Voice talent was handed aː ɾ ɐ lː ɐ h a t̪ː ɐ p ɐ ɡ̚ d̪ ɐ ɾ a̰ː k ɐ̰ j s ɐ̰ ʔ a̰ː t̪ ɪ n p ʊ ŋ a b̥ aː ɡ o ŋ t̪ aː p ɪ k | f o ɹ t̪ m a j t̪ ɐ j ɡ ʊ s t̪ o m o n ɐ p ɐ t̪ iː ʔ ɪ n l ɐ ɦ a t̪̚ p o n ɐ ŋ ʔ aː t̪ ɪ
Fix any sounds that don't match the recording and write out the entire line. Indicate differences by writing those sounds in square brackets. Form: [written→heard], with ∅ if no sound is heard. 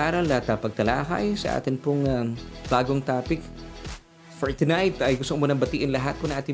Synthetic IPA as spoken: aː ɾ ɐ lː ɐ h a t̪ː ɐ p ɐ ɡ̚ [d̪→t̪] ɐ [ɾ→l] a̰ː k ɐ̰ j s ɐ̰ ʔ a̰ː t̪ ɪ n p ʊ ŋ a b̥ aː ɡ o ŋ t̪ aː p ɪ k | f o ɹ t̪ [m→n] a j t̪ ɐ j ɡ ʊ s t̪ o m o n ɐ [p→b] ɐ t̪ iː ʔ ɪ n l ɐ ɦ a t̪̚ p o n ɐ ŋ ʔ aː t̪ ɪ